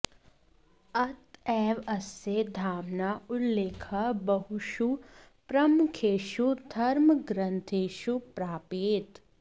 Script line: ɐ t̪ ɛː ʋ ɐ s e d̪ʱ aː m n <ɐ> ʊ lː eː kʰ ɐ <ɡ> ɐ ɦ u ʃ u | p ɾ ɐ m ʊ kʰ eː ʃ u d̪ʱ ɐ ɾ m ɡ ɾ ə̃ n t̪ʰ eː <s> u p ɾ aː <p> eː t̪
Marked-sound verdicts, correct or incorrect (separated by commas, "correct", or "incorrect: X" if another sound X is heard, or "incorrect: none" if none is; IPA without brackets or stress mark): incorrect: a, incorrect: b, incorrect: ʃ, correct